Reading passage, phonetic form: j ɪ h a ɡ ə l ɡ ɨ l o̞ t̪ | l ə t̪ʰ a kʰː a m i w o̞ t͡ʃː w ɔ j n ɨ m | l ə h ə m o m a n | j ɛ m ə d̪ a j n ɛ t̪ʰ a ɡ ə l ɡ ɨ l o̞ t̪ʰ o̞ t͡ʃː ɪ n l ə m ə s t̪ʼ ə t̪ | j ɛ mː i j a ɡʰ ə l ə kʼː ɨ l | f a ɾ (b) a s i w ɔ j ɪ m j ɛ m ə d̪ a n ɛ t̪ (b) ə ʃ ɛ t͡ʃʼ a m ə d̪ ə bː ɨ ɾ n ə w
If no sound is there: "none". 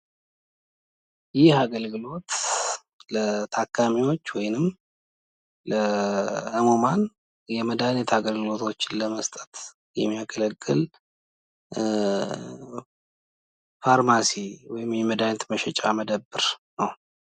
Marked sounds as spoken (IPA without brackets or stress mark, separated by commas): m, m